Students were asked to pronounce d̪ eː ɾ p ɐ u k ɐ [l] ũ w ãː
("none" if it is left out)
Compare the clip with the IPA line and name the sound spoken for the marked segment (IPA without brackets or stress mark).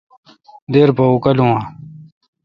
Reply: l